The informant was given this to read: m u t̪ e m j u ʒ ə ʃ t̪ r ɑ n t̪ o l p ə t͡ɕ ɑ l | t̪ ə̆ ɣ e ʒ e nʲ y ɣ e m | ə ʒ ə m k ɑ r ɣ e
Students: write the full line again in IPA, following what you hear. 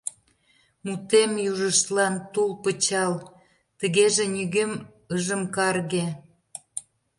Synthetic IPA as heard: m u t̪ e m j u ʒ ə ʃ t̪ l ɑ n t̪ u l p ə t͡ɕ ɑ l | t̪ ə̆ ɣ e ʒ e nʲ y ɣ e m | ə ʒ ə m k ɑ r ɣ e